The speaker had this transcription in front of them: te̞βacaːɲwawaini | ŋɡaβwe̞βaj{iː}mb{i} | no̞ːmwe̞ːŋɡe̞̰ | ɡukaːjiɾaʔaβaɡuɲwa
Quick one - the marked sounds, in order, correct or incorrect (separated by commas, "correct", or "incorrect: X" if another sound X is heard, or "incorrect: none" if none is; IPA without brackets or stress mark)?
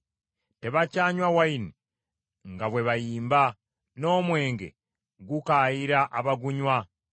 correct, incorrect: a